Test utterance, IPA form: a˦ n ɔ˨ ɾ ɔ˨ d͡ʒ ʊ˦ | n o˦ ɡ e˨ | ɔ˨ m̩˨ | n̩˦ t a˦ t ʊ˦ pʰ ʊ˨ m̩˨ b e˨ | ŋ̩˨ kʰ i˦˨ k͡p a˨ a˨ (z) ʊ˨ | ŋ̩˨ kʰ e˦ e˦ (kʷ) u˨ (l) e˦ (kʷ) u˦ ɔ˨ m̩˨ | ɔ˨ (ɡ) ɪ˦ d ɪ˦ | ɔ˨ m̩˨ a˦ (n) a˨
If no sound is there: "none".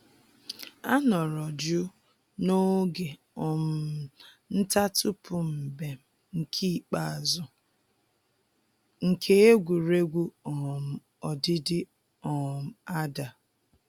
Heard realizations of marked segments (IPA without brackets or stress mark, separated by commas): z, ɡʷ, ɾ, ɡʷ, d, d